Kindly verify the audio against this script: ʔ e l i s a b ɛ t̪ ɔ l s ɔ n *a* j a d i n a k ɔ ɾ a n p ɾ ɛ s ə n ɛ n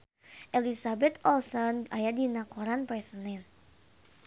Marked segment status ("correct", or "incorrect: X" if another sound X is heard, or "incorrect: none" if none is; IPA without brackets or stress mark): correct